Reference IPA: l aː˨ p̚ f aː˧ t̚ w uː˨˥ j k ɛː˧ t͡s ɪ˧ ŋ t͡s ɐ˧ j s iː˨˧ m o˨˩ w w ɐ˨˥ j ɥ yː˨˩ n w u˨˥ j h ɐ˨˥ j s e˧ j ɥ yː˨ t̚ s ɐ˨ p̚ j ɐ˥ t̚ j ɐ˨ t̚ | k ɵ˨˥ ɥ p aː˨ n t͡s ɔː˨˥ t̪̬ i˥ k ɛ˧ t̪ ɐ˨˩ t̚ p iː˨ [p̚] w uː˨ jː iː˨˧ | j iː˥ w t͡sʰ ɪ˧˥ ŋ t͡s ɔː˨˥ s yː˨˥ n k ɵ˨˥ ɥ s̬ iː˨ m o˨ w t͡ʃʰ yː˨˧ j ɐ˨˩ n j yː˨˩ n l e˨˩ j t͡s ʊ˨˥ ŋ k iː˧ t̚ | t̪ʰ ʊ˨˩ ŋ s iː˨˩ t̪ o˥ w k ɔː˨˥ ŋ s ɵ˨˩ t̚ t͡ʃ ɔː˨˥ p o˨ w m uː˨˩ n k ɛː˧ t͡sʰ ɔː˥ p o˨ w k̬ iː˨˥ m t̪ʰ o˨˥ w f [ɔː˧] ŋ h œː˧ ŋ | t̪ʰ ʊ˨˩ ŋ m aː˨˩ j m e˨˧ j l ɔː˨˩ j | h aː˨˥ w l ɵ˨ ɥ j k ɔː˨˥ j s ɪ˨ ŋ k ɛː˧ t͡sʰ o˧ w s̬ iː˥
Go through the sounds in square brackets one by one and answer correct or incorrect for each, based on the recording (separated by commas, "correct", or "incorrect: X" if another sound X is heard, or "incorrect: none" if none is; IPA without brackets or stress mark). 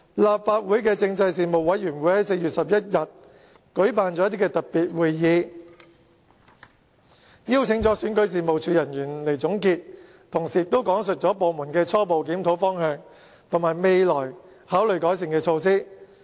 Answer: incorrect: t̚, incorrect: ɔː˥